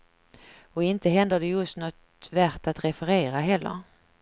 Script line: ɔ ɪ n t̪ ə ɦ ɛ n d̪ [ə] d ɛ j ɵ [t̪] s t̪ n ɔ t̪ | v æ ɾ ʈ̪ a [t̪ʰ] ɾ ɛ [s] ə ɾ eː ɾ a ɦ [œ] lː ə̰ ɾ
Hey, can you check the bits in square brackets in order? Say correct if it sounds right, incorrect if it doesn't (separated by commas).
correct, incorrect, incorrect, incorrect, incorrect